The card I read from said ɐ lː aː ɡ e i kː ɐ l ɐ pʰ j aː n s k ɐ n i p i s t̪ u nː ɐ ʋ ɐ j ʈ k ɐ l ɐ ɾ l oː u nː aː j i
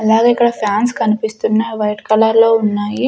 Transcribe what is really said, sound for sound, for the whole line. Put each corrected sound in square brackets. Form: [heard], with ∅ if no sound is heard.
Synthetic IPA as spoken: ɐ [l] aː ɡ e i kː ɐ [ɽ] ɐ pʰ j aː n s k ɐ n i p i s t̪ u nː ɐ ʋ ɐ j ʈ k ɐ l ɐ ɾ l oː u nː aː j i